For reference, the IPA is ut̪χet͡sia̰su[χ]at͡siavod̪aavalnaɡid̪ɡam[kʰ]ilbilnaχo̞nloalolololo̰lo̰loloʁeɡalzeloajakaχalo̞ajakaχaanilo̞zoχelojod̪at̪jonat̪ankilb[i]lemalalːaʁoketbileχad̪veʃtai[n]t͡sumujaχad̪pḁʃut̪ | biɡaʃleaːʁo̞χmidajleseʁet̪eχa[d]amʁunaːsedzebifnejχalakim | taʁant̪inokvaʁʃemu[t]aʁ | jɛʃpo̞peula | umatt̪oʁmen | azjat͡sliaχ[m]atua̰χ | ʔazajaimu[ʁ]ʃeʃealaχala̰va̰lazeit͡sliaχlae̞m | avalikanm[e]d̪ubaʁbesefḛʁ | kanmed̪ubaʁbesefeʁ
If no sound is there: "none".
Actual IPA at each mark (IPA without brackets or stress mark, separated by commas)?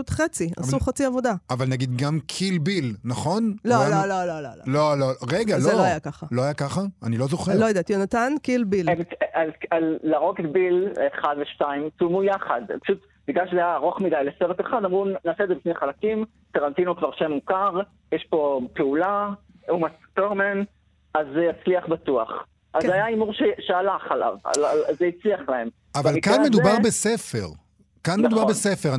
χ, kʰ, i, m, d, k, b, ʁ, e